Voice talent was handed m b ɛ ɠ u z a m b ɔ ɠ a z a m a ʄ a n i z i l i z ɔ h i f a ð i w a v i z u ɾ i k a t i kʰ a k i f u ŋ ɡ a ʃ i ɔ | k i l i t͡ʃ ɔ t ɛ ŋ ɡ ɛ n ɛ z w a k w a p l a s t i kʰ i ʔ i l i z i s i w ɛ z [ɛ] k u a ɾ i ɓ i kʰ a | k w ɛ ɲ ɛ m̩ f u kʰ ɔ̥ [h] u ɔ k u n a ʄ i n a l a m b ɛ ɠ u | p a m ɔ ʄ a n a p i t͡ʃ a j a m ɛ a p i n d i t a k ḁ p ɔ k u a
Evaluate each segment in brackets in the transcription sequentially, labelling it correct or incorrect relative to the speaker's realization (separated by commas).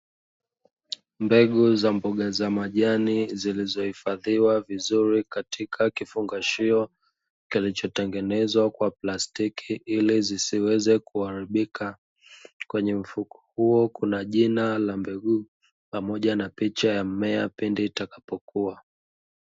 correct, correct